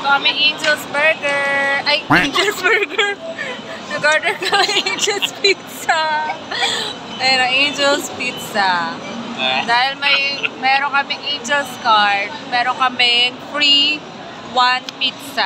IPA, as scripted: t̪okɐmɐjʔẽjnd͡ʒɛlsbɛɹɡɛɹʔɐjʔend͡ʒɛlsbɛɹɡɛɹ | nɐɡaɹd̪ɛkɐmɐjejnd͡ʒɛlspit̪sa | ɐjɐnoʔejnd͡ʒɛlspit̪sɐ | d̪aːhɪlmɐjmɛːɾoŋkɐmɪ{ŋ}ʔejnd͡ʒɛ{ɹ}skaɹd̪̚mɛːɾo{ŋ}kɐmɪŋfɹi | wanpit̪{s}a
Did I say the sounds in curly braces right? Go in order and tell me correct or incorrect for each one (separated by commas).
correct, incorrect, correct, correct